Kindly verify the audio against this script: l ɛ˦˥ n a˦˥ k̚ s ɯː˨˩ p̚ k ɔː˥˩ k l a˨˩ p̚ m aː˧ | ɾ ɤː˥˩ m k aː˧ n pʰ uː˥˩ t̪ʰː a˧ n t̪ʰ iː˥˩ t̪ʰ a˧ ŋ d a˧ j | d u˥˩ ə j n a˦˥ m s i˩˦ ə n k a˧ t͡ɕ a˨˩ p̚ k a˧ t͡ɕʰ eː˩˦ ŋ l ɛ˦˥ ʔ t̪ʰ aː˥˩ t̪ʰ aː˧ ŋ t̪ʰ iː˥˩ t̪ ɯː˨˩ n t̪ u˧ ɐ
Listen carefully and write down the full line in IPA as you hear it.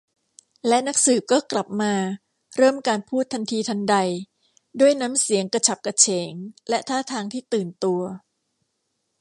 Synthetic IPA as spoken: l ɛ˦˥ n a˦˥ k̚ s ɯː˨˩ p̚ k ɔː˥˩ k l a˨˩ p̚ m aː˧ | ɾ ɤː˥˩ m k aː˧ n pʰ uː˥˩ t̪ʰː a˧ n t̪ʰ iː˧ t̪ʰ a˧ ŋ d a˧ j | d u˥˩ ə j n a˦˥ m s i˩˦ ə ŋ k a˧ t͡ɕʰ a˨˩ p̚ k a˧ t͡ɕʰ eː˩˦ ŋ l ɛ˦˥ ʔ t̪ʰ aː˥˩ t̪ʰ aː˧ ŋ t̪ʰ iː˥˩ t̪ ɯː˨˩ n t̪ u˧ ɐ